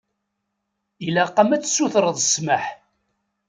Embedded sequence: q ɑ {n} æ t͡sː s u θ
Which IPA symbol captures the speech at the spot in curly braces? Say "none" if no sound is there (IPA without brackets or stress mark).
m